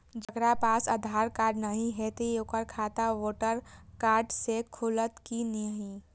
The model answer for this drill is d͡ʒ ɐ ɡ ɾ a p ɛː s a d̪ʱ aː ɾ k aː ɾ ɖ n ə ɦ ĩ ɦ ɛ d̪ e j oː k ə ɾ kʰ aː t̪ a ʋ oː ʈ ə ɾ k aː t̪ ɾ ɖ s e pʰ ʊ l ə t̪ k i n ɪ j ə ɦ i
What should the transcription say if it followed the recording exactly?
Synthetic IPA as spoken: d͡ʒ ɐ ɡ ɾ a p aː s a d̪ʱ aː ɾ k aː ɾ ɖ n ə ɦ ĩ ɦ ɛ t̪ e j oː k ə ɾ kʰ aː t̪ a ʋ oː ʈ ə ɾ k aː ɾ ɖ s e kʰ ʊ l ə t̪ k i n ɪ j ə ɦ i

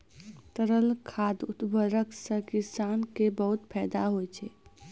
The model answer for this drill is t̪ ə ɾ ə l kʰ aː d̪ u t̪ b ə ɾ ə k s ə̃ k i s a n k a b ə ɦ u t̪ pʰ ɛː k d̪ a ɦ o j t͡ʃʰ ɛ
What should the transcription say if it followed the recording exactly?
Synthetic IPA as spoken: t̪ ə ɾ ə l kʰ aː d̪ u t̪ b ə ɾ ə k s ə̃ k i s a n k e b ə ɦ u t̪ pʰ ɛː d̪ a ɦ o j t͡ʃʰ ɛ

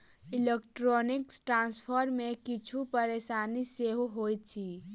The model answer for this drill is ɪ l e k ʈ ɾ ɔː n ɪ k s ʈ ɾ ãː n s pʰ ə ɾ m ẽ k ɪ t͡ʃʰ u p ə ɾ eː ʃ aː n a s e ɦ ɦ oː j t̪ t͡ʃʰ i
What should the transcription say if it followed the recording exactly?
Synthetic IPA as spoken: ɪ l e k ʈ ɾ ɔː n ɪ k s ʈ ɾ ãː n s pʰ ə ɾ m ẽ k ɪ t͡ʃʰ u p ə ɾ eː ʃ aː n i s e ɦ ɦ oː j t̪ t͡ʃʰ i

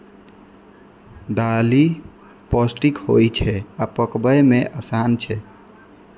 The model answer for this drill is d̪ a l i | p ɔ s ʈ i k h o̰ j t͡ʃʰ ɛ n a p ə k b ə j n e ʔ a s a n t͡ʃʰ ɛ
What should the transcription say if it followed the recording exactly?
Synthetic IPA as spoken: d̪ a l i | p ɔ s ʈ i k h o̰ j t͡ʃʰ ɛ a p ə k b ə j m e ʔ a s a n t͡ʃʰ ɛ

